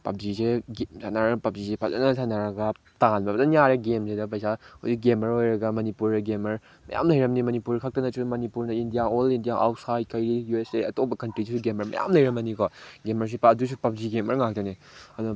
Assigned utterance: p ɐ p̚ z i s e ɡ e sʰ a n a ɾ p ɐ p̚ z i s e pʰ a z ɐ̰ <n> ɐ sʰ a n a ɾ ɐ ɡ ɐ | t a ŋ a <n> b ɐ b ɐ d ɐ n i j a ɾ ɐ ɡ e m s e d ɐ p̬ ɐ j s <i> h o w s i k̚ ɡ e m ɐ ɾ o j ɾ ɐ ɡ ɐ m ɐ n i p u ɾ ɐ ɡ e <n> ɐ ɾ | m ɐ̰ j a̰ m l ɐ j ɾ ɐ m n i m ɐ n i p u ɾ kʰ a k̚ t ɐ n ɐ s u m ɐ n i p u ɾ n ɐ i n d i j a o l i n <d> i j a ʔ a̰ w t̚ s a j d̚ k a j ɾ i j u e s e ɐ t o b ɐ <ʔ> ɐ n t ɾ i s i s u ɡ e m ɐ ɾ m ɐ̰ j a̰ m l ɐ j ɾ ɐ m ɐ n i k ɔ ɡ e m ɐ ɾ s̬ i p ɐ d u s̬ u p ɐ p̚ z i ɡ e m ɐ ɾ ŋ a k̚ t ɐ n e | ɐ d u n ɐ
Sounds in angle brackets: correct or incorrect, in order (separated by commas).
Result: correct, correct, incorrect, incorrect, correct, incorrect